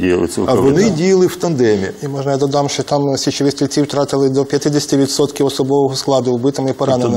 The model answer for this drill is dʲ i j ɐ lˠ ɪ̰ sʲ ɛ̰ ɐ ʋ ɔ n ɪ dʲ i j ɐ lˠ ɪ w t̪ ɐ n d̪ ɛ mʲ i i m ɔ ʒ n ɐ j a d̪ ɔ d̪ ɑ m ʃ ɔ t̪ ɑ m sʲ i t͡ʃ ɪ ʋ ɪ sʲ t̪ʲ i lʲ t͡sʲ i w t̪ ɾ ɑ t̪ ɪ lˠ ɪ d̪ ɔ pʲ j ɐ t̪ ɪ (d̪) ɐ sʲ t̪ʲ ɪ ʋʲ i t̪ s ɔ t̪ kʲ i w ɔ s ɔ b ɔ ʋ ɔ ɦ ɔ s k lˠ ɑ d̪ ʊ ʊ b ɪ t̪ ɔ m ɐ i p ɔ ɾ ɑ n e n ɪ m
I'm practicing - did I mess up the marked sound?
no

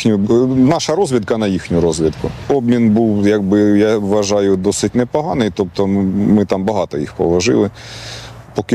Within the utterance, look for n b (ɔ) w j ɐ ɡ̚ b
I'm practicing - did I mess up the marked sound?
yes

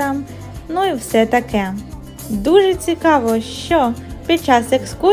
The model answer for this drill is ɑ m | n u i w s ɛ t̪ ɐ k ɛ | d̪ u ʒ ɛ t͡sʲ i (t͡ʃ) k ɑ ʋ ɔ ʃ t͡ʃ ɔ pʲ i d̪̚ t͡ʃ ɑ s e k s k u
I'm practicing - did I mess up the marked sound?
yes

